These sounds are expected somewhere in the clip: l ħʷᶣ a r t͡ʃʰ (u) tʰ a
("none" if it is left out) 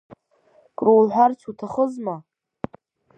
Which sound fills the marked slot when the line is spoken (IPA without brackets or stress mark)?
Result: u